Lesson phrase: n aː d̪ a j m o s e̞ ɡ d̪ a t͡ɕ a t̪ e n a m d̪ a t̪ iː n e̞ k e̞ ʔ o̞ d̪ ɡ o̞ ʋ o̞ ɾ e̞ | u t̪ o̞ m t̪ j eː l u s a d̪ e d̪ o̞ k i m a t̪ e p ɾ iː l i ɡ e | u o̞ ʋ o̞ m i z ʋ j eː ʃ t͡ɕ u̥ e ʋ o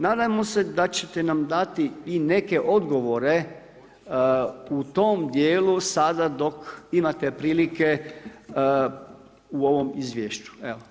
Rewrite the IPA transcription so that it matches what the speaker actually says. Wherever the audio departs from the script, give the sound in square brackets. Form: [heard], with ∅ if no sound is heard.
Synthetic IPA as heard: n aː d̪ a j m o s e̞ [∅] d̪ a t͡ɕ [e] t̪ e n a m d̪ a t̪ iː n e̞ k e̞ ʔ o̞ d̪ ɡ o̞ ʋ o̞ ɾ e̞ | u t̪ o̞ m [d̪] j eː l u s a d̪ [a] d̪ o̞ k i m a t̪ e p ɾ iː l i [k] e | u o̞ ʋ o̞ m i z ʋ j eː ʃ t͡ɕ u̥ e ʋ o